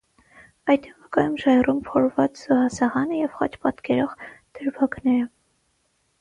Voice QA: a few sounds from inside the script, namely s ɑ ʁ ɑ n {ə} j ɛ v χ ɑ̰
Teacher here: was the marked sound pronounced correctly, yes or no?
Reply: yes